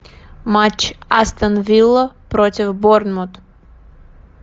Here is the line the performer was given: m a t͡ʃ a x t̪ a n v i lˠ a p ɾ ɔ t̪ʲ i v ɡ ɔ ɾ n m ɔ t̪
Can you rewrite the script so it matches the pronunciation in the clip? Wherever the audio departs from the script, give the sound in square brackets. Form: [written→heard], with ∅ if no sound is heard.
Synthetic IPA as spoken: m a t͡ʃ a [x→s] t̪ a n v i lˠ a p ɾ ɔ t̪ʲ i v [ɡ→b] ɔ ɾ n m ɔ t̪